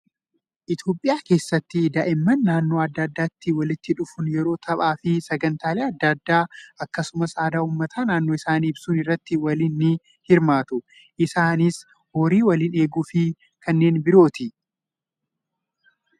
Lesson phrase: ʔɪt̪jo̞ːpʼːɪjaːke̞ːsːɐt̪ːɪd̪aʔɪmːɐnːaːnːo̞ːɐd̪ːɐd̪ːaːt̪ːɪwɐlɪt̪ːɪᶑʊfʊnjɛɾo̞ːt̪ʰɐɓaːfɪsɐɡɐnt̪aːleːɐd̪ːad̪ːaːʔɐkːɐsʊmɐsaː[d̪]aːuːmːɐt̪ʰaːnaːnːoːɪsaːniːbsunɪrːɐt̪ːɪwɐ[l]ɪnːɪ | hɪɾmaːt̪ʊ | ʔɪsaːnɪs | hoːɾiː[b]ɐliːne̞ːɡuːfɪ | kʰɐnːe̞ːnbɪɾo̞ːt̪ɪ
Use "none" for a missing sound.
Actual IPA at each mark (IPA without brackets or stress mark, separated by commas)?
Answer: d̪, l, w